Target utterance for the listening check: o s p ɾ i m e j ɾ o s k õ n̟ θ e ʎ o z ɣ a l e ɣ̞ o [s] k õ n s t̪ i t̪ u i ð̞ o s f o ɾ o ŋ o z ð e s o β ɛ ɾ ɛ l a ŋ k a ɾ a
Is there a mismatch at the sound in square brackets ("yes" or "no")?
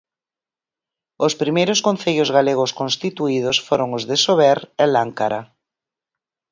no